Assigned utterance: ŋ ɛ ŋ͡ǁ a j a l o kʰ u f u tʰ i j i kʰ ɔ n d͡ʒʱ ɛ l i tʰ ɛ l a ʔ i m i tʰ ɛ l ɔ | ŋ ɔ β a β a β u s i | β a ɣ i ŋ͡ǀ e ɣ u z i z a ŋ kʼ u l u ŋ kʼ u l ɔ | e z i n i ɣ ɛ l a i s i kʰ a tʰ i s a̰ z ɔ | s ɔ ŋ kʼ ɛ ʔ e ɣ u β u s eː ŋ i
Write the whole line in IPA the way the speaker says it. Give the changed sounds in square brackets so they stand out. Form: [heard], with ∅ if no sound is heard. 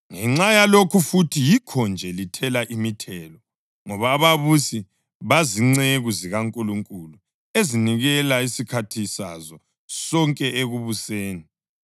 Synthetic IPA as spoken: ŋ ɛ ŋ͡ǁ a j a l o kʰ u f u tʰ i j i kʰ ɔ n d͡ʒʱ ɛ l i tʰ ɛ l a ʔ i m i tʰ ɛ l ɔ | ŋ ɔ β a β a β u s i | β a [z] i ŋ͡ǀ e ɣ u z i [ɣ] a ŋ kʼ u l u ŋ kʼ u l [u] | e z i n i ɣ ɛ l a i s i kʰ a tʰ i s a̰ z ɔ | s ɔ ŋ kʼ ɛ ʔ e ɣ u β u s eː [n] i